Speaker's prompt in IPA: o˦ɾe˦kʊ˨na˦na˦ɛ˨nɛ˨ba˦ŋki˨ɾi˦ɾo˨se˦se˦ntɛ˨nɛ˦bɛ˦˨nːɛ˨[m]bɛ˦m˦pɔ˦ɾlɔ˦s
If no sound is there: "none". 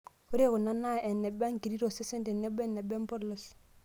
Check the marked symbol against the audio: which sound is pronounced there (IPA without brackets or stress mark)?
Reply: none